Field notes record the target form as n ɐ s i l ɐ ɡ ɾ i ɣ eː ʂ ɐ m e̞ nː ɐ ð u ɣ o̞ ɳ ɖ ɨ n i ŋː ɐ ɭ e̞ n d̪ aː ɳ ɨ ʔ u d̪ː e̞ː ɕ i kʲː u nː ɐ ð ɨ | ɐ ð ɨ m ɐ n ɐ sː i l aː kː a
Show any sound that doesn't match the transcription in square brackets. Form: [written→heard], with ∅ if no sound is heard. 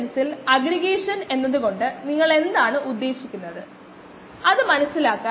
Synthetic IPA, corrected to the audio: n ɐ s i l ɐ ɡ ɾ i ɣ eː ʂ ɐ [m→n] e̞ nː ɐ ð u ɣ o̞ ɳ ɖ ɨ n i ŋː ɐ ɭ e̞ n d̪ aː ɳ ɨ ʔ u d̪ː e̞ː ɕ i kʲː u nː ɐ ð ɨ | ɐ ð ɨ m ɐ n ɐ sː i l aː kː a